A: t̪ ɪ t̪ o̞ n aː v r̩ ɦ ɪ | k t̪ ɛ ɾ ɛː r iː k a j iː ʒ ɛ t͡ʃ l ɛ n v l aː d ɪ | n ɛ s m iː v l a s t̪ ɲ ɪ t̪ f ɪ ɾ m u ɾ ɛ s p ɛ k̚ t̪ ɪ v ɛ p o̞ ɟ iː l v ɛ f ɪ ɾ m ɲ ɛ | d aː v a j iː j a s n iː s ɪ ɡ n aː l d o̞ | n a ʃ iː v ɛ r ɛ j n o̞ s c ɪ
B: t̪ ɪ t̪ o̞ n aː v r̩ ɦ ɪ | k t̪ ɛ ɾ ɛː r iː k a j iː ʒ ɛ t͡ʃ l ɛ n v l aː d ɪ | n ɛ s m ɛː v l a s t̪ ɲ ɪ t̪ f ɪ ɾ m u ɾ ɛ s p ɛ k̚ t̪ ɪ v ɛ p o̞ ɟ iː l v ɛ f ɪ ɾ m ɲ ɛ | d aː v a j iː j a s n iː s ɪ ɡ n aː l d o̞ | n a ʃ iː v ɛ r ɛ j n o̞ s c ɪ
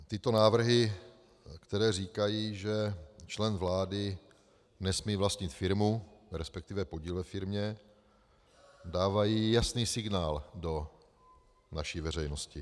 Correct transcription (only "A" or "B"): A